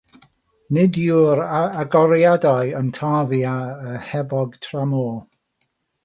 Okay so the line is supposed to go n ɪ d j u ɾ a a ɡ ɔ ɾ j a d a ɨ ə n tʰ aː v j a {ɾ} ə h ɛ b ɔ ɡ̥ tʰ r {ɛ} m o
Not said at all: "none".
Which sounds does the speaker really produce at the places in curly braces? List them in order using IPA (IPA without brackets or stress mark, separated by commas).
none, a